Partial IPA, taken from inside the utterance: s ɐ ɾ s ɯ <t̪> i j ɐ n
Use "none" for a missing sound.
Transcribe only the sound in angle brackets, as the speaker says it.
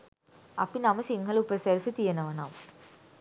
t̪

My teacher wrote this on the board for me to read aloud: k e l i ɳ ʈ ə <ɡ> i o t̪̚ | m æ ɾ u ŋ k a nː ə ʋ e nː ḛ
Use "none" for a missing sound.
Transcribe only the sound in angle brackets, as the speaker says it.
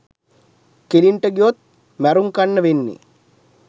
ɡ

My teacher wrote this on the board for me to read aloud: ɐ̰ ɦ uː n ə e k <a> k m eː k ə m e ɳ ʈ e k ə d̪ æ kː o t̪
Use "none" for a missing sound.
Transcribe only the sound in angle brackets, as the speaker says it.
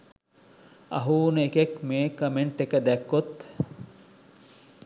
e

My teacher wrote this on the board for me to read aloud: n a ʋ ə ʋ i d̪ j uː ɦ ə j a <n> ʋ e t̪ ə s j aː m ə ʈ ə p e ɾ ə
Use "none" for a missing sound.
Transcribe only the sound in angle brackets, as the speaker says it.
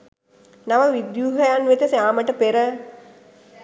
n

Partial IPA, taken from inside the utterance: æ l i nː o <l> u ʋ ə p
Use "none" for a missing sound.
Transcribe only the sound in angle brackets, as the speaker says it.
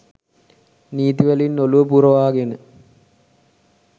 l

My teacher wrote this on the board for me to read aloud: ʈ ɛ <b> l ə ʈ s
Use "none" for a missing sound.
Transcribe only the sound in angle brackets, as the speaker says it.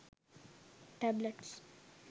b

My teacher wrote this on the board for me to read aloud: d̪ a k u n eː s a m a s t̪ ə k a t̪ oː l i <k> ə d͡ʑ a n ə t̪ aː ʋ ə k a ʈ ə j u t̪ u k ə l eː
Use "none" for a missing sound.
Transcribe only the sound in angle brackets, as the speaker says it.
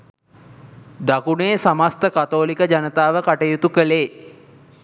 k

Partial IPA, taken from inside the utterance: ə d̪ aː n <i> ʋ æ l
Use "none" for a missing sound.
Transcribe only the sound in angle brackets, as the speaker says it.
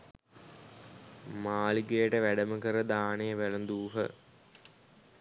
e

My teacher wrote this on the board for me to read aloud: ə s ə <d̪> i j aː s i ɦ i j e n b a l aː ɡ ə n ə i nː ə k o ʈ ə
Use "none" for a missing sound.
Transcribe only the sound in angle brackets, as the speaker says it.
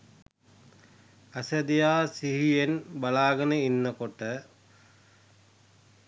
d̪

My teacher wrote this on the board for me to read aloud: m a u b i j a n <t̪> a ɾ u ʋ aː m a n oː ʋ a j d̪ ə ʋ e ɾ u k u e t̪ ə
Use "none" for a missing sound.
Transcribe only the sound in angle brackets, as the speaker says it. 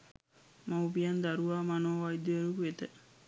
d̪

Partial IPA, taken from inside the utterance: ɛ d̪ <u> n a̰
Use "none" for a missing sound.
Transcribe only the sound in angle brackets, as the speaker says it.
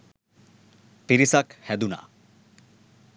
u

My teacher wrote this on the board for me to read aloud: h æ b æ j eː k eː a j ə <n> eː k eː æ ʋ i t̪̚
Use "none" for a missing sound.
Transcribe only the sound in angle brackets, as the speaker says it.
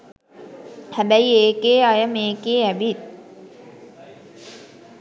m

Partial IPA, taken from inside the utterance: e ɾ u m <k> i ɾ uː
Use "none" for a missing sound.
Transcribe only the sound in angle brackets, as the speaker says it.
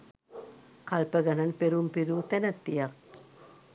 p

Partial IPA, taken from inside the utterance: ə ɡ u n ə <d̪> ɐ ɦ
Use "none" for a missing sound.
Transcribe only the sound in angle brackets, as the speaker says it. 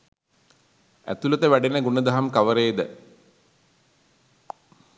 d̪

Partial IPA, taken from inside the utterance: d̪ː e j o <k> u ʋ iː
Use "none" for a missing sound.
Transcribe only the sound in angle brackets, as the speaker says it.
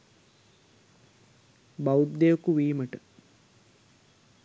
k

